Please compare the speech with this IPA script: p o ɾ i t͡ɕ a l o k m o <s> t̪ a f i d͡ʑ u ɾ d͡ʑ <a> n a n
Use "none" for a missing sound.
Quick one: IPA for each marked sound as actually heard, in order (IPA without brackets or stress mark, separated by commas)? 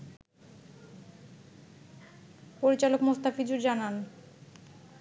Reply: s, a